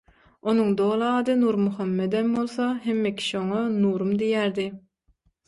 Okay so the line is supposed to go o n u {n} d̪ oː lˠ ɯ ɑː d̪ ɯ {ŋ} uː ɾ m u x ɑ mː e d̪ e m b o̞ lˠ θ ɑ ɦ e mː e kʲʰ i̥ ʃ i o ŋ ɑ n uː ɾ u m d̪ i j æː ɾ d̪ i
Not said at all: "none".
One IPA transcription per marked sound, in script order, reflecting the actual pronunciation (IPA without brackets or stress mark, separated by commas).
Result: ŋ, n